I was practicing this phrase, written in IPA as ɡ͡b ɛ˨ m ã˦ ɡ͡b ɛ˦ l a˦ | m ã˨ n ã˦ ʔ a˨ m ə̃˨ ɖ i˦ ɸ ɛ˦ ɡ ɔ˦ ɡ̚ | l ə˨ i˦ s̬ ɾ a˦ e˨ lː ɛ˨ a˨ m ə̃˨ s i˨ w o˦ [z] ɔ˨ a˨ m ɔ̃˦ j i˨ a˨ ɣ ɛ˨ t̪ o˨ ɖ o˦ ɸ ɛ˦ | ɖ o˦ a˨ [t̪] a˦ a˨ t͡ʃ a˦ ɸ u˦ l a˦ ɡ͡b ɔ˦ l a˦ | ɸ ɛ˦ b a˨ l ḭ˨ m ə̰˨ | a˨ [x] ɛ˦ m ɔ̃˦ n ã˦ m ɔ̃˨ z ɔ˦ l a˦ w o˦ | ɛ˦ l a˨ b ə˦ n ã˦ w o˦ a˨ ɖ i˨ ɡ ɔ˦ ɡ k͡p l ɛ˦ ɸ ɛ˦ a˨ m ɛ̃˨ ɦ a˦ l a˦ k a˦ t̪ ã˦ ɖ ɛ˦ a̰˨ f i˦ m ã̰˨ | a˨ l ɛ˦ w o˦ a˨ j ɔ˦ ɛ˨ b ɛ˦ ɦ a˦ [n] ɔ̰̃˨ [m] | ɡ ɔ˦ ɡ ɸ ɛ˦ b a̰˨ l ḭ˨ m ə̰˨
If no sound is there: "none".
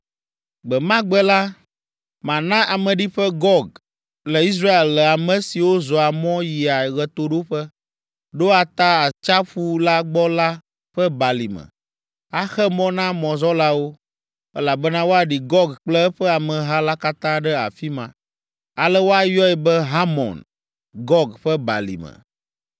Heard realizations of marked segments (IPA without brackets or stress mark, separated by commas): z, t̪, x, m, n